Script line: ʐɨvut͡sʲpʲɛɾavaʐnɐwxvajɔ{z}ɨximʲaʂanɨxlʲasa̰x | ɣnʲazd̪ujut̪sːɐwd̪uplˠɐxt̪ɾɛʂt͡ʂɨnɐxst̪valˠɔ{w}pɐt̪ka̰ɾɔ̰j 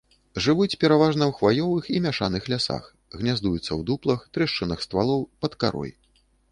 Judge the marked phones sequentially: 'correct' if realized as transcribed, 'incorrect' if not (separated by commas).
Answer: incorrect, correct